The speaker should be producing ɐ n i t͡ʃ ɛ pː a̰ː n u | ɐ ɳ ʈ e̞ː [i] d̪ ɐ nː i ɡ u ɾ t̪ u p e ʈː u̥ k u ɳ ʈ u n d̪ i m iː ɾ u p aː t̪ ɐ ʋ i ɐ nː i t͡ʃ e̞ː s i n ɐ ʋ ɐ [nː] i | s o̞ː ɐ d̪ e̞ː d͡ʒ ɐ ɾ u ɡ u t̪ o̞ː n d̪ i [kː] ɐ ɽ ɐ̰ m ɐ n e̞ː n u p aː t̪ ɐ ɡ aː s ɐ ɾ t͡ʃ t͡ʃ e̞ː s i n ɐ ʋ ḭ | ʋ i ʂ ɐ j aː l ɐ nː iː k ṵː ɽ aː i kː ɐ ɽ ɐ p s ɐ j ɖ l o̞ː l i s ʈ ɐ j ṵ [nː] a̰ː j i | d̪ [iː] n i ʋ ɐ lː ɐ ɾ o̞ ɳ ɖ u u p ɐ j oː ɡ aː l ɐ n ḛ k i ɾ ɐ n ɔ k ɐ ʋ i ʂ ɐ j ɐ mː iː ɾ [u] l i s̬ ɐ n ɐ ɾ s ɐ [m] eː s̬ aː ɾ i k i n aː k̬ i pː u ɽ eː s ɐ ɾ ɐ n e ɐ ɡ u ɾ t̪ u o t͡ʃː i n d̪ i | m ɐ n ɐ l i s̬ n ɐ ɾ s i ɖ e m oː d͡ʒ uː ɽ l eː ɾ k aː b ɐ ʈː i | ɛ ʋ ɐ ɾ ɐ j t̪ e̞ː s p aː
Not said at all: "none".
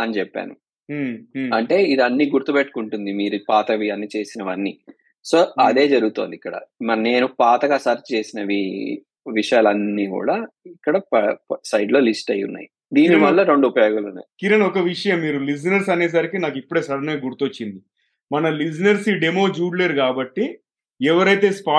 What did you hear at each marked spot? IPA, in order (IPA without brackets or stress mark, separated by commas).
i, nː, kː, nː, iː, u, n